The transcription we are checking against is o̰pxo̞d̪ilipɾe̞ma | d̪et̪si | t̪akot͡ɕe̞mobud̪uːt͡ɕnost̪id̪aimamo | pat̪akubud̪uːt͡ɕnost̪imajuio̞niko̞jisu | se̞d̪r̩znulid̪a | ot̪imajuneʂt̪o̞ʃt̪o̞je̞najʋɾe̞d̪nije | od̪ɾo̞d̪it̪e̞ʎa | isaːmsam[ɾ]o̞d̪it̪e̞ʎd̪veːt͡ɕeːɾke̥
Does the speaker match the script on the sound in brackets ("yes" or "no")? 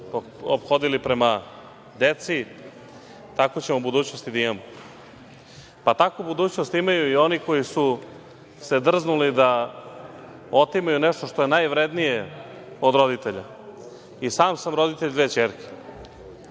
yes